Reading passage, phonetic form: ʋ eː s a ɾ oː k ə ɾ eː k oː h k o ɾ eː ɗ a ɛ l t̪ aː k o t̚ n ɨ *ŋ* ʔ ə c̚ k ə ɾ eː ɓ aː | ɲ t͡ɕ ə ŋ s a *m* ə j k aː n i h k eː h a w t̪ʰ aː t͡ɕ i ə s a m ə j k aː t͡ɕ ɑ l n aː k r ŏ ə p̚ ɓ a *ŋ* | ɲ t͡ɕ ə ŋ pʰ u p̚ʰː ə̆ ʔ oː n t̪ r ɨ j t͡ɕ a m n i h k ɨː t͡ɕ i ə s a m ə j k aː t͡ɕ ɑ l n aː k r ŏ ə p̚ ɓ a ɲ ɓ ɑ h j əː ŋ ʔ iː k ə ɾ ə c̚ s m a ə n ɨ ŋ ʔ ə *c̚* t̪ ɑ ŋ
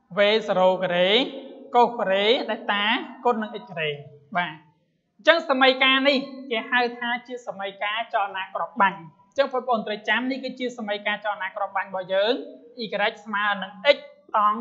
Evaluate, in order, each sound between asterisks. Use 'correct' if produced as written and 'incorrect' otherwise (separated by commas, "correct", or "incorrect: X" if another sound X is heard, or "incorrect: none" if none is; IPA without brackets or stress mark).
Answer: correct, correct, incorrect: ɲ, correct